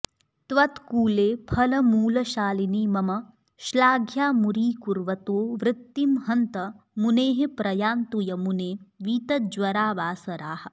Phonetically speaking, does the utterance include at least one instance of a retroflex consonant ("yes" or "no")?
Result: no